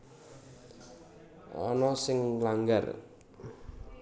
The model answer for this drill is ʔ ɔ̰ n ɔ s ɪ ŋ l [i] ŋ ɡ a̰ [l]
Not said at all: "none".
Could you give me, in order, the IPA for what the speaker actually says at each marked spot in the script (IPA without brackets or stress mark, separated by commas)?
a, r